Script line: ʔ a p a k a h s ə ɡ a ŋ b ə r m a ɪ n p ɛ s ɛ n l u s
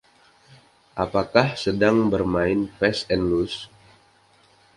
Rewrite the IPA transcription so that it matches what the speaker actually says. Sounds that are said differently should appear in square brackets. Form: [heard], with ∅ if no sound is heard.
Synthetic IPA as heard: ʔ a p a k a h s ə [d] a ŋ b ə r m a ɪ n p ɛ s ɛ n l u s